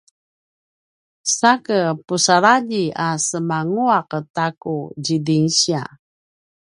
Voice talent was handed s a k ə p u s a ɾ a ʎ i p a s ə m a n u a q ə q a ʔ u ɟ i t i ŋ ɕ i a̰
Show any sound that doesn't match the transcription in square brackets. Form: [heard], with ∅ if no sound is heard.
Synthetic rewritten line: s a k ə p u s a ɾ a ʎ i [∅] a s ə m a [ŋ] u a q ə [t] a [k] u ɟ i [d] i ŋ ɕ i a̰